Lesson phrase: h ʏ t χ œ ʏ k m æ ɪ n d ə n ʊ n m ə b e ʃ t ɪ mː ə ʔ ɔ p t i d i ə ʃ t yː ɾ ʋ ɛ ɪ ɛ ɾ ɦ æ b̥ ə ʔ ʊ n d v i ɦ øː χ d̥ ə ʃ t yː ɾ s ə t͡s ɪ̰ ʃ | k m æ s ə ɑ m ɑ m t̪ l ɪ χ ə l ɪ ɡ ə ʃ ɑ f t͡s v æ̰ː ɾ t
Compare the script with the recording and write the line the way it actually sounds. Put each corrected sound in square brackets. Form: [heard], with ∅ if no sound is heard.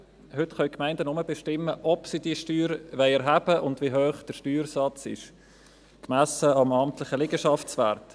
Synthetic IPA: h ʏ t χ œ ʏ k m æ ɪ n d ə n ʊ [∅] m ə b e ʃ t ɪ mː ə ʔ ɔ p [s] i d i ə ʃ t yː ɾ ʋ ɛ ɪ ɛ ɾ ɦ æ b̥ ə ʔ ʊ n d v i ɦ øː χ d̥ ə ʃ t yː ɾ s [ɑ] t͡s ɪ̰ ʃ | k m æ s ə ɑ m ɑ m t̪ l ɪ χ ə l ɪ ɡ ə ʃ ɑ f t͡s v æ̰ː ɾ t

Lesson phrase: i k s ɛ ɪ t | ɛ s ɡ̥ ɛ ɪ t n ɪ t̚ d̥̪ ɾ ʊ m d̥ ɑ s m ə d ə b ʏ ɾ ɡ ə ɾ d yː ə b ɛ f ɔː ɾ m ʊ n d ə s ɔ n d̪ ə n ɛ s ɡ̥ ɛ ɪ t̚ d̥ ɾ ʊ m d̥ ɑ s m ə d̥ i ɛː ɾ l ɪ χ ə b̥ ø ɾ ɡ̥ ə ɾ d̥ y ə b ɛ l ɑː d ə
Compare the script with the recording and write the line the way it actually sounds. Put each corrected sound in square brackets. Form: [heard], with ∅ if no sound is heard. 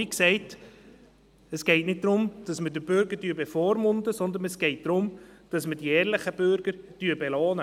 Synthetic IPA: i k s ɛ ɪ t | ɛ s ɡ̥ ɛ ɪ t n ɪ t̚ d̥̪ ɾ ʊ m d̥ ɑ s m ə d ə b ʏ ɾ ɡ ə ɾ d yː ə b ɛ f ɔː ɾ m ʊ n d ə s ɔ n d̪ ə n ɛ s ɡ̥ ɛ ɪ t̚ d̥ ɾ ʊ m d̥ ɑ s m ə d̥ i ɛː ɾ l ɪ χ ə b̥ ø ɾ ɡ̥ ə ɾ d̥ y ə b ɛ l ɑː [n] ə

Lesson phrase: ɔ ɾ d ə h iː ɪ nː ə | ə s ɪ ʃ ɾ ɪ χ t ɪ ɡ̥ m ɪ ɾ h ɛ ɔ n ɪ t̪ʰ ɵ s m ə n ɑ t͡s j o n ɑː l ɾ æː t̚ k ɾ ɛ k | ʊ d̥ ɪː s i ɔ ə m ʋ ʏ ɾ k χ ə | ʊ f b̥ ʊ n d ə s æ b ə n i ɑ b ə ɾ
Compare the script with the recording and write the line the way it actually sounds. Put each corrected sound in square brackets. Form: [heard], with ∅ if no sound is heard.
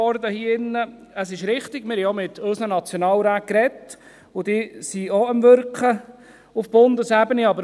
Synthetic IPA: ɔ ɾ d ə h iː ɪ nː ə | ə s ɪ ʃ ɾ ɪ χ t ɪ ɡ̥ m ɪ ɾ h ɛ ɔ [m] ɪ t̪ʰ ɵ s [n] ə n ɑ t͡s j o n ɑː l ɾ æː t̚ k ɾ ɛ [t] | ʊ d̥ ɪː s i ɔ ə m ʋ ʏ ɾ k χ ə | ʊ f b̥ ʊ n d ə s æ b ə n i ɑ b ə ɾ

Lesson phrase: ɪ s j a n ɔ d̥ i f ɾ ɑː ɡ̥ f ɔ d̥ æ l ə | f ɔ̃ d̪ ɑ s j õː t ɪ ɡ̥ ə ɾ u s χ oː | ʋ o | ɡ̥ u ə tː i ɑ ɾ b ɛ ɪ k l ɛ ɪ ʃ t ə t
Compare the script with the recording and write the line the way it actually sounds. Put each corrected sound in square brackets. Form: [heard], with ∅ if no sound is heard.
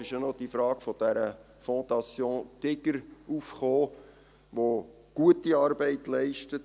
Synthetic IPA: ɪ [ʃ] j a n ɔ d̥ i f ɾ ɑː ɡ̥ f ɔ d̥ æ [ɾ] ə | f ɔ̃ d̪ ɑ s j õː t ɪ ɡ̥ ə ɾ u [f] χ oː | ʋ o | ɡ̥ u ə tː i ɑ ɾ b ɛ ɪ [t] l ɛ ɪ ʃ t ə t

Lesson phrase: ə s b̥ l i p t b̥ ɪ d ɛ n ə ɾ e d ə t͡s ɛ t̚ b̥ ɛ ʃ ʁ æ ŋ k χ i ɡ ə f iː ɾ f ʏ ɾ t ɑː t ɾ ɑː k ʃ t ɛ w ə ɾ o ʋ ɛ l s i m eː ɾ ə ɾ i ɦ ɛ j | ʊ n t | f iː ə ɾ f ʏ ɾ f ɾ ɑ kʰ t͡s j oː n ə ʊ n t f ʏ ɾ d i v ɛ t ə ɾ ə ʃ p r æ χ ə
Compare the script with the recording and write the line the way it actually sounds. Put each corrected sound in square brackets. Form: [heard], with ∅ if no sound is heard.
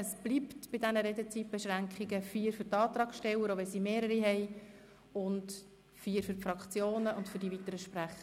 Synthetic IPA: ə s b̥ l i p t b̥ ɪ d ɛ n ə ɾ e d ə t͡s [i] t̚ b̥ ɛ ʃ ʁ æ ŋ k χ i ɡ ə f iː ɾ f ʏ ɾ t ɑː t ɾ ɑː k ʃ t ɛ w ə ɾ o ʋ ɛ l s i m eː ɾ ə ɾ i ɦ ɛ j | ʊ n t | f iː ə ɾ f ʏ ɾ f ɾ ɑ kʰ t͡s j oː n ə ʊ n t f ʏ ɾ d i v [i] t ə ɾ ə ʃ p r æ χ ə

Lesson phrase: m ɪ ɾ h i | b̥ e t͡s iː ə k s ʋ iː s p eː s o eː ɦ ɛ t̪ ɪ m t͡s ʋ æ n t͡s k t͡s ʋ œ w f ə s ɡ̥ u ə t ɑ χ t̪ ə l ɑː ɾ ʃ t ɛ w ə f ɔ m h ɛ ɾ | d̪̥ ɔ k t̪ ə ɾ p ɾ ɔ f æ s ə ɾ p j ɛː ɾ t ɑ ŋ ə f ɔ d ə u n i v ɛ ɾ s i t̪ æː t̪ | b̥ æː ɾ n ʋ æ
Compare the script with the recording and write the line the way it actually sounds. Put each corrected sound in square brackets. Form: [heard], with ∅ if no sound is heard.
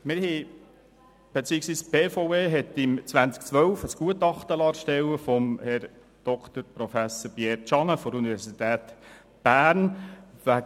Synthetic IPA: m ɪ ɾ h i | b̥ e t͡s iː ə k s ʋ iː s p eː [f] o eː ɦ ɛ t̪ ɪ m t͡s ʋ æ n t͡s k t͡s ʋ œ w f ə s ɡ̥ u ə t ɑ χ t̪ ə l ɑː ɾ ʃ t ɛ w ə f ɔ m h ɛ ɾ | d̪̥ ɔ k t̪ ə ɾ p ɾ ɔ f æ s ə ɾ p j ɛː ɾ [t͡ʃ] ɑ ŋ ə f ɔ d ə u n i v ɛ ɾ s i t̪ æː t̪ | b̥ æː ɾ n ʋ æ

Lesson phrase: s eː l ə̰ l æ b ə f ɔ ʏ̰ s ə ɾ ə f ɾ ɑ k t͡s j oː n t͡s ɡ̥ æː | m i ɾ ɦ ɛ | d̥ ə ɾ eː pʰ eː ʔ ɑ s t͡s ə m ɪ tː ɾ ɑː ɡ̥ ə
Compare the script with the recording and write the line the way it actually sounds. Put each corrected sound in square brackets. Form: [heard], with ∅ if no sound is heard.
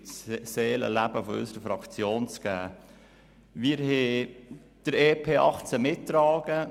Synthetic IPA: s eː l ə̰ l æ b ə f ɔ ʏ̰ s ə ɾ ə f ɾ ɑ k t͡s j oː n t͡s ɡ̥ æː | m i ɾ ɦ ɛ | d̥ ə ɾ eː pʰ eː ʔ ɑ [χ] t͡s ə m ɪ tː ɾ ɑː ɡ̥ ə

